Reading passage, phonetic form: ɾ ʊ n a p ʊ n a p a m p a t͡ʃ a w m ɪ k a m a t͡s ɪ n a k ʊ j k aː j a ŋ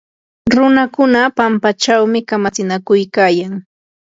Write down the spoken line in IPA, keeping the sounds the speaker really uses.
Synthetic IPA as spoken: ɾ ʊ n a k ʊ n a p a m p a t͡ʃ a w m ɪ k a m a t͡s ɪ n a k ʊ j k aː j a ŋ